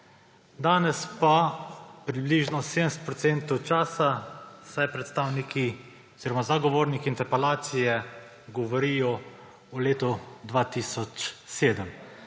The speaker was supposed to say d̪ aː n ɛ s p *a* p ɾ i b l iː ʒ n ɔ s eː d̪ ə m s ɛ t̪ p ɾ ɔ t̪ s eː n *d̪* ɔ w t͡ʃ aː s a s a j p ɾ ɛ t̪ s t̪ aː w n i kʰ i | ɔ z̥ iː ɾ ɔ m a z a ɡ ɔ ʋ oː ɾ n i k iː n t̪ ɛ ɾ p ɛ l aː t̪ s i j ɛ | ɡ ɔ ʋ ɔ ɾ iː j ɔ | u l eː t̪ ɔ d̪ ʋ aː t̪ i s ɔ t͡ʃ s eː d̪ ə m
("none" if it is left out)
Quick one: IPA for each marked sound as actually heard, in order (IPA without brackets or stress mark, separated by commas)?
a, t̪